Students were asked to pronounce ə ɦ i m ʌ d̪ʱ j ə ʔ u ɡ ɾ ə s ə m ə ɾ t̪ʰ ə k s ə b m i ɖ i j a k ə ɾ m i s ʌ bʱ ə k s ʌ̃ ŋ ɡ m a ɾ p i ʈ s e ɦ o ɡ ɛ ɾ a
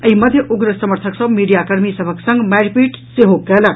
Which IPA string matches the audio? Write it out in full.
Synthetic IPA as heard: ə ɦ i m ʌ d̪ʱ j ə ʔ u ɡ ɾ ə s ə m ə ɾ t̪ʰ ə k s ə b m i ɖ i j a k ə ɾ m i s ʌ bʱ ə k s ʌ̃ ŋ ɡ m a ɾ p i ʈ s e ɦ o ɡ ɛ l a